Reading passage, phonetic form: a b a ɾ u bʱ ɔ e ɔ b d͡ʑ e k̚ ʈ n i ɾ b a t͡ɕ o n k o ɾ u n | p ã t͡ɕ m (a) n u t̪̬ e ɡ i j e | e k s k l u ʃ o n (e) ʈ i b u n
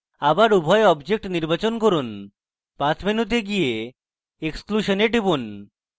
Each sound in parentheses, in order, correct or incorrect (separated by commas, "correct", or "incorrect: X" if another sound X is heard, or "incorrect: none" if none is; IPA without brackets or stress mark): incorrect: i, correct